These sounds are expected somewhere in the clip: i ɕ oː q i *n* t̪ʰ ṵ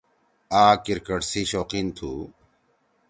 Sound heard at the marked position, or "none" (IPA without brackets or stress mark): n